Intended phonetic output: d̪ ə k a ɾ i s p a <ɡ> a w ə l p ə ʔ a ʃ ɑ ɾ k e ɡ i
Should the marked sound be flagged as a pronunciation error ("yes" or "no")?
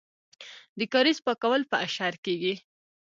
yes